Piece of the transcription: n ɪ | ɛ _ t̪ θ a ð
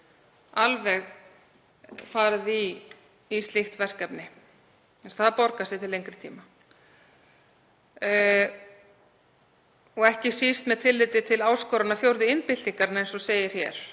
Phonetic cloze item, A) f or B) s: B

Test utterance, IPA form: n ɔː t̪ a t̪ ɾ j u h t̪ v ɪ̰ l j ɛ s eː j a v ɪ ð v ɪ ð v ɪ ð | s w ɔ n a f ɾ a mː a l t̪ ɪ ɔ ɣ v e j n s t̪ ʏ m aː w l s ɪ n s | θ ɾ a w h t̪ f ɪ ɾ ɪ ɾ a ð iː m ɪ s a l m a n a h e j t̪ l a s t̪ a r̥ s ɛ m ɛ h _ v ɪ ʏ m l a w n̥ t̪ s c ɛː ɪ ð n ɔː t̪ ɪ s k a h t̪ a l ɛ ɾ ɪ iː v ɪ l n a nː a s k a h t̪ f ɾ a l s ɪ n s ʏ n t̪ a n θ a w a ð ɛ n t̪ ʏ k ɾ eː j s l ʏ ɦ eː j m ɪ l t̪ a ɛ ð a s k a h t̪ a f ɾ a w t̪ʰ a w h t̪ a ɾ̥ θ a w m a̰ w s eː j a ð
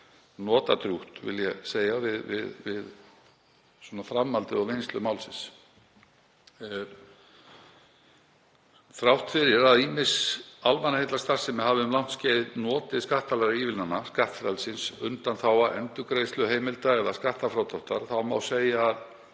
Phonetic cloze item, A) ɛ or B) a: B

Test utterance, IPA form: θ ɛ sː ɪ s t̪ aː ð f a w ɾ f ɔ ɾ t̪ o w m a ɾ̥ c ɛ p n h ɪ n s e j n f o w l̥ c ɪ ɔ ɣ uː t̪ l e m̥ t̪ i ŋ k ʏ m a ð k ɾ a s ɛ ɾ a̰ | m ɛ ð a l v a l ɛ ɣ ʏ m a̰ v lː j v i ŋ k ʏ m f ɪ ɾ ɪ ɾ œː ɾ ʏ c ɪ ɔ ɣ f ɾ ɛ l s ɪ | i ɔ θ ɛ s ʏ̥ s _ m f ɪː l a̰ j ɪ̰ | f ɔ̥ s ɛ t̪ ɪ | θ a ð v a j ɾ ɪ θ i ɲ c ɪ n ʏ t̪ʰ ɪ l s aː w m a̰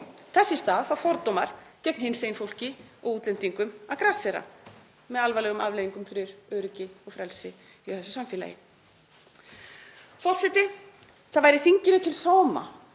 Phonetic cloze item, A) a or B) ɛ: A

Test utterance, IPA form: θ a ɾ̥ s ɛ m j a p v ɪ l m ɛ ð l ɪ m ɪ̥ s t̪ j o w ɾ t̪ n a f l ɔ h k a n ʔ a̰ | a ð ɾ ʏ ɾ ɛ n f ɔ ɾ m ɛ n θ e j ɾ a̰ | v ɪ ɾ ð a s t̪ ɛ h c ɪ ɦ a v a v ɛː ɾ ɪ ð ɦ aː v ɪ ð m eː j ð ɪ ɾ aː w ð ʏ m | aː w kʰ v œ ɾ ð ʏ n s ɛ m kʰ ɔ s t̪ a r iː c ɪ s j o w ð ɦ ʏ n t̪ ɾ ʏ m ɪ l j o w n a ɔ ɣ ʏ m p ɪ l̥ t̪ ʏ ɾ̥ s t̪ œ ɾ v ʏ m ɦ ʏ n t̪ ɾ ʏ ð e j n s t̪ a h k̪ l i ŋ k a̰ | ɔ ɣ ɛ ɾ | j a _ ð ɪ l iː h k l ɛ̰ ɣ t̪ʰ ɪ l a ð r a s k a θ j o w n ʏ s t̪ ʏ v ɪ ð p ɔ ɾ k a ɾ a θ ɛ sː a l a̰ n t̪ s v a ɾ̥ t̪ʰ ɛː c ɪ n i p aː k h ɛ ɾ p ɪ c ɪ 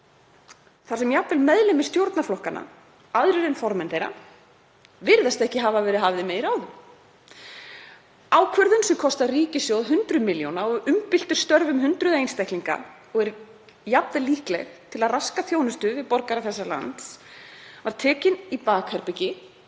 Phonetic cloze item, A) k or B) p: B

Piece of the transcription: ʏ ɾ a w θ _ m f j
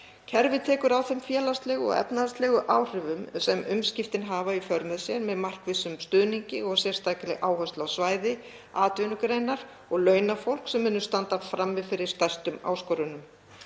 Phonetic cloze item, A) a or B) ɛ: B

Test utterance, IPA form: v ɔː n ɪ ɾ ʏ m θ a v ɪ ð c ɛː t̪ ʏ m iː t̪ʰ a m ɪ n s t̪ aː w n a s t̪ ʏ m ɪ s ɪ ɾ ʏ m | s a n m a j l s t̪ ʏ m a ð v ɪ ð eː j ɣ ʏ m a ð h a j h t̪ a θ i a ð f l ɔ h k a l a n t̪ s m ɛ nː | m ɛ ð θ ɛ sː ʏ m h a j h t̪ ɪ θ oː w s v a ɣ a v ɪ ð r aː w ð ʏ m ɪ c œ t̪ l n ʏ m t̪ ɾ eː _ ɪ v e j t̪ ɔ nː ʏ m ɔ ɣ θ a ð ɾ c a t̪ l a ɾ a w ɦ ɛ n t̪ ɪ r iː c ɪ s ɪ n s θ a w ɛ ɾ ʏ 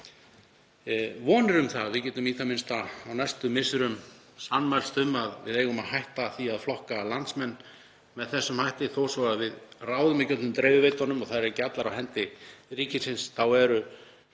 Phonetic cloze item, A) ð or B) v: B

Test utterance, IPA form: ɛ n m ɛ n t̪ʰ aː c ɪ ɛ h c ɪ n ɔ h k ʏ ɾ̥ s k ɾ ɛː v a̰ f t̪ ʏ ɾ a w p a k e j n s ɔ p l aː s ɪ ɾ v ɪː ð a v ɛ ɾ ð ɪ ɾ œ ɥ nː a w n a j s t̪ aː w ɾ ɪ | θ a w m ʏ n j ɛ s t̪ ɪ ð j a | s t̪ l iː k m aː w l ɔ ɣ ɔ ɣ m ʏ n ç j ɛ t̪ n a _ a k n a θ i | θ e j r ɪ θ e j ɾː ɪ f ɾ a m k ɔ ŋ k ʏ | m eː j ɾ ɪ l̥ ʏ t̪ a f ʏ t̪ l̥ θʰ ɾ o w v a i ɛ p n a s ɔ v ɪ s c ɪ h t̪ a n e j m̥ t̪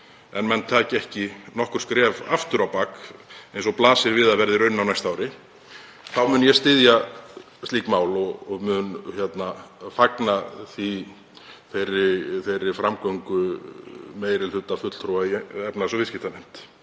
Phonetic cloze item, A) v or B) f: B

